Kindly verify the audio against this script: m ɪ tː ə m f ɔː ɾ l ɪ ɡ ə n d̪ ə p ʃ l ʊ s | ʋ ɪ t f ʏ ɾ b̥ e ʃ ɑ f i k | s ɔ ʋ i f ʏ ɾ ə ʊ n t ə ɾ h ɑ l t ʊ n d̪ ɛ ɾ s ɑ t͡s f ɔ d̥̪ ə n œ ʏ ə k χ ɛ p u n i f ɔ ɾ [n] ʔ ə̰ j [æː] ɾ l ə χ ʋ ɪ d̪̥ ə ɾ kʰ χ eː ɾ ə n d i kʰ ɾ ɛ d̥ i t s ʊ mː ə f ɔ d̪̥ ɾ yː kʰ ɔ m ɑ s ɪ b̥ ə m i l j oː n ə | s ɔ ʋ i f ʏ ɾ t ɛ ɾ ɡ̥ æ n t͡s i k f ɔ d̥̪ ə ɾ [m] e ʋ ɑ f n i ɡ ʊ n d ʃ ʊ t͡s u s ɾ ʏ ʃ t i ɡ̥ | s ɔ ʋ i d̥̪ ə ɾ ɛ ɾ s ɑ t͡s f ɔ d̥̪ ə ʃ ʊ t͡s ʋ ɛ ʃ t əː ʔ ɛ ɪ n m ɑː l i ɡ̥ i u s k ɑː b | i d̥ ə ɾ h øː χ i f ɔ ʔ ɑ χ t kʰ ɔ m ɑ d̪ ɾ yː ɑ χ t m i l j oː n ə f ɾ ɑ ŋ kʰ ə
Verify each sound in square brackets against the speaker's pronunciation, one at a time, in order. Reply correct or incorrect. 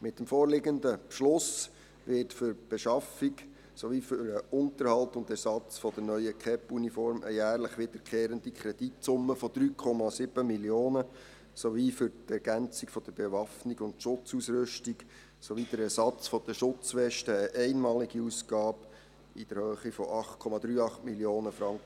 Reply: incorrect, correct, incorrect

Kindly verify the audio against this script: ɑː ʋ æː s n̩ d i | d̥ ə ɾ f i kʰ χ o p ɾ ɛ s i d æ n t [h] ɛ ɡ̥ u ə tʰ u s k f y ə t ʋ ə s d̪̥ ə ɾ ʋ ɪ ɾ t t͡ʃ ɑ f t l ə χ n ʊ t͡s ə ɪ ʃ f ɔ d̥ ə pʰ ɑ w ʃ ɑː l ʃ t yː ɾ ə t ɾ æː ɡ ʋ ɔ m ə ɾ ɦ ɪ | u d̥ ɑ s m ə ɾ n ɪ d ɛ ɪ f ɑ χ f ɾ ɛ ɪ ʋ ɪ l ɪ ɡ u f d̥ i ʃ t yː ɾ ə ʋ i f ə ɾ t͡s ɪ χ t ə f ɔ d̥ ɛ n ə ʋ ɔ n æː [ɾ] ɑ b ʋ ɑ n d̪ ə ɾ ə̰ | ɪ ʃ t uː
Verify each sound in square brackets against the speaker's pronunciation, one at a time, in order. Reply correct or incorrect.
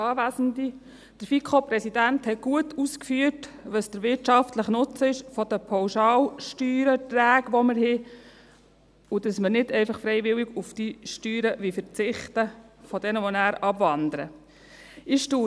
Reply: correct, correct

